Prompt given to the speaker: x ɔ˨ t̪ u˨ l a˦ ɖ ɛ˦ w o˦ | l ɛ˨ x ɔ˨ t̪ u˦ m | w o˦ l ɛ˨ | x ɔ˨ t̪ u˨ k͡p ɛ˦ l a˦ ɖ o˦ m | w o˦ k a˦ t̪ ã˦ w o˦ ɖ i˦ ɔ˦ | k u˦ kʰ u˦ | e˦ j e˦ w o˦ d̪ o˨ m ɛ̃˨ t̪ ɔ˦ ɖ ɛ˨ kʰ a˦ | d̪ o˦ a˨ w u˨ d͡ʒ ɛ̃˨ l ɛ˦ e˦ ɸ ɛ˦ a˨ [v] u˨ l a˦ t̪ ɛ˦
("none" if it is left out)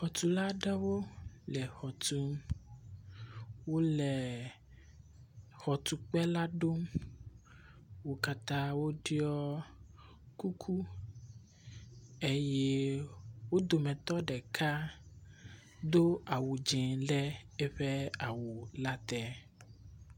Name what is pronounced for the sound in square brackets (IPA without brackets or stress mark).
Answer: w